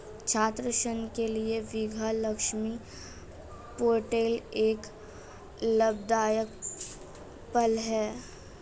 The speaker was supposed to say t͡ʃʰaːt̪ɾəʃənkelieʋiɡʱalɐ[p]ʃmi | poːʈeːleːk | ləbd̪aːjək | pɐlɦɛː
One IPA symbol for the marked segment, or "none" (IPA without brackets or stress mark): k